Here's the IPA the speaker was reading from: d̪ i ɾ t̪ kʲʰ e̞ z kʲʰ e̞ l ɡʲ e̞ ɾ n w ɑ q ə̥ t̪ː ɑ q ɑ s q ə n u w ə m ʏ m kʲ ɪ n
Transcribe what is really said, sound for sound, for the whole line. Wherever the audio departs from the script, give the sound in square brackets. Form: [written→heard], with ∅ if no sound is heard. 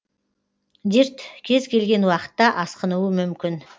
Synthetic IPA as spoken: d̪ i ɾ t̪ kʲʰ e̞ z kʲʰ e̞ l ɡʲ e̞ [ɾ→∅] n w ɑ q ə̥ t̪ː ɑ [q→ʔ] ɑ s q ə n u w ə m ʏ m kʲ ɪ n